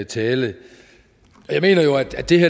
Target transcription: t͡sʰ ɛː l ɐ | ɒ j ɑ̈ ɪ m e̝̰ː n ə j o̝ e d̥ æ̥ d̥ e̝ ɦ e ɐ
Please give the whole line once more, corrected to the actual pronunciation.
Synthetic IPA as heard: t͡sʰ ɛː l ə | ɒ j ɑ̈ ɪ m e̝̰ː n ɐ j o̝ æ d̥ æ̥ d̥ e̝ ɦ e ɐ